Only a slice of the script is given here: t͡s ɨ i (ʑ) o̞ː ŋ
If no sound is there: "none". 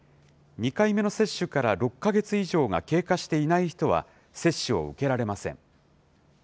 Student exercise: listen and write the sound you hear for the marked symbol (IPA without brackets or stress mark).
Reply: ʑ